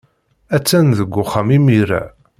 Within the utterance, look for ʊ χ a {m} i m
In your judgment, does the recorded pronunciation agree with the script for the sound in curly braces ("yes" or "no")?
yes